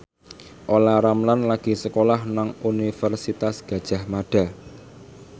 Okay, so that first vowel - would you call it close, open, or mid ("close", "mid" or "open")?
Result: mid